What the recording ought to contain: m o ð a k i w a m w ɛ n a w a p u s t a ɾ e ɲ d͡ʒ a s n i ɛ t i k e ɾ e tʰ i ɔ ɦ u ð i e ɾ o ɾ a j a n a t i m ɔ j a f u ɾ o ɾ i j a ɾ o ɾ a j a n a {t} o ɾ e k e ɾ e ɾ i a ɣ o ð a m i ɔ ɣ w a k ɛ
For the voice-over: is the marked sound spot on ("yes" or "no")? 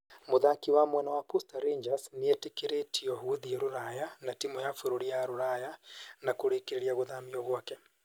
no